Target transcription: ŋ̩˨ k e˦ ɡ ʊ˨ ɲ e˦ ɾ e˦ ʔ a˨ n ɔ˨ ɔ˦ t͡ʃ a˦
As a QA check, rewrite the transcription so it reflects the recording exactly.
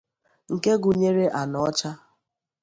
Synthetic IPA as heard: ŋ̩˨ k e˦ ɡ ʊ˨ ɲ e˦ ɾ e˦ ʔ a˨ n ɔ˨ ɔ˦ t͡ʃ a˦